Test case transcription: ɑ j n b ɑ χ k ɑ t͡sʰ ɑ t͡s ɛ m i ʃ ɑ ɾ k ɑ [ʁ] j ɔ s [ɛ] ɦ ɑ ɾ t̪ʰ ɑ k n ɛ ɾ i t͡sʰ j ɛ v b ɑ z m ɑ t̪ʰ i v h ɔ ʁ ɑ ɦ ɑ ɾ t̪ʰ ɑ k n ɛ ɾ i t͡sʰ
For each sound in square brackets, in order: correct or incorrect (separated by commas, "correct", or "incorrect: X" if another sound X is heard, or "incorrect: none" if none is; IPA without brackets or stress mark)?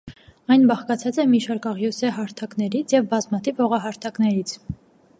correct, correct